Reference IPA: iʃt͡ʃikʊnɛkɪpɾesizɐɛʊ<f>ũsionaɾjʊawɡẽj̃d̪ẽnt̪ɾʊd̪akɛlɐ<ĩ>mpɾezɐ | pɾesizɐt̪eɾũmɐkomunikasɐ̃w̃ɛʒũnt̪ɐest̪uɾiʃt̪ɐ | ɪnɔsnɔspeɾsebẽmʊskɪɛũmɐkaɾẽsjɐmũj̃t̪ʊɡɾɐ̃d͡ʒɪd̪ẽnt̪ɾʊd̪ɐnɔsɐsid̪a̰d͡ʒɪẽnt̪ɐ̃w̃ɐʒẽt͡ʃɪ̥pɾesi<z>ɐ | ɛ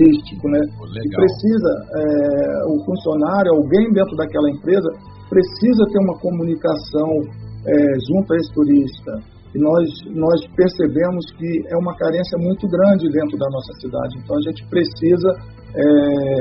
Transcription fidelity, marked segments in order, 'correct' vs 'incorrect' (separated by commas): correct, incorrect, correct